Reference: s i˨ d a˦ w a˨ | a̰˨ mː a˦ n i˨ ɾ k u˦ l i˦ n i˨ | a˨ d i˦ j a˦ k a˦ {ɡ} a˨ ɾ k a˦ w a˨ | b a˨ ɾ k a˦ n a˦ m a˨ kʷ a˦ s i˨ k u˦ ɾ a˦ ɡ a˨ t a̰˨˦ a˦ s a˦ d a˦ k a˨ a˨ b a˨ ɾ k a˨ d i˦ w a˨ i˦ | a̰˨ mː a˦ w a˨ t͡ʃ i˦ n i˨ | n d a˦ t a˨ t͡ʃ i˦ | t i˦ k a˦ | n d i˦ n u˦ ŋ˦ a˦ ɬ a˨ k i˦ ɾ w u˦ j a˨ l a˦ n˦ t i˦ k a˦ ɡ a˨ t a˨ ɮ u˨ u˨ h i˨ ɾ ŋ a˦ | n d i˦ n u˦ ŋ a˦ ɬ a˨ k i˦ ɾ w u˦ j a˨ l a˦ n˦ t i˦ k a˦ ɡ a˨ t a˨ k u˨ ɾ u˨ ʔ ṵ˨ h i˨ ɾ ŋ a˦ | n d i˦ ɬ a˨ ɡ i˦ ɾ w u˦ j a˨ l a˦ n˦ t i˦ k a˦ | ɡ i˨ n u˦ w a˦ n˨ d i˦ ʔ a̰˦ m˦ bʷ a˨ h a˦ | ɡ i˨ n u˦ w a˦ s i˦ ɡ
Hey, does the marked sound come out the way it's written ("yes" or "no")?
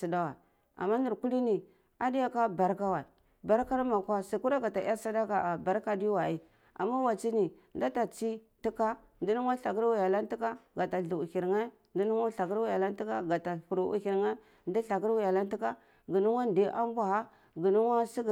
no